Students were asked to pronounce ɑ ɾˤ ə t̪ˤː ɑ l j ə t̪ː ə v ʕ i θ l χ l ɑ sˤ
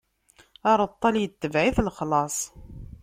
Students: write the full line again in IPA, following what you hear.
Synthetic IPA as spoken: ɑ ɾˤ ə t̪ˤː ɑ l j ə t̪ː ə v ʕ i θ l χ l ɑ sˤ